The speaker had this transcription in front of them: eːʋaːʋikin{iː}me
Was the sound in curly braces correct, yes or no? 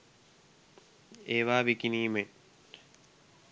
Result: yes